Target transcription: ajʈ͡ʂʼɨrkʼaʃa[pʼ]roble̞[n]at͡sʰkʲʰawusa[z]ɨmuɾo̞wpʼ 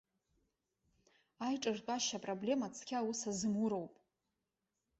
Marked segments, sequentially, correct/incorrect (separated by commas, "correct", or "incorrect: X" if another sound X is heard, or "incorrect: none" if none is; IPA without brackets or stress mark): correct, incorrect: m, correct